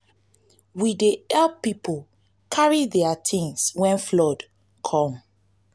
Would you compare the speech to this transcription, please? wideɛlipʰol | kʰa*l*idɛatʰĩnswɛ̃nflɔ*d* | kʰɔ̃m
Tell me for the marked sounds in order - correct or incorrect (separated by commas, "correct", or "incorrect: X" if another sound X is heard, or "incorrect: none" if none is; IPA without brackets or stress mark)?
incorrect: ɹ, correct